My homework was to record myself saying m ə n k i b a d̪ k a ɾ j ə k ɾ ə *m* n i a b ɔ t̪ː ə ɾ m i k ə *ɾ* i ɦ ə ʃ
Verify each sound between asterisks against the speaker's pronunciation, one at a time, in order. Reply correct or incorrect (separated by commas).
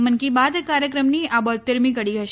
correct, incorrect